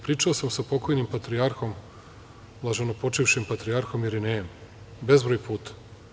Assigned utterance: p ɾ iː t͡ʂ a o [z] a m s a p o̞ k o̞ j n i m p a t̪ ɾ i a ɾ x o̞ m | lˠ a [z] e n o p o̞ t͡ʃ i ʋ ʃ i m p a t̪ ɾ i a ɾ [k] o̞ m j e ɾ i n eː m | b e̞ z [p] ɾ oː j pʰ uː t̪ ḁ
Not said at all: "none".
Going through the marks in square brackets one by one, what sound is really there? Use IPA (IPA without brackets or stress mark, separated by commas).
s, ʒ, x, b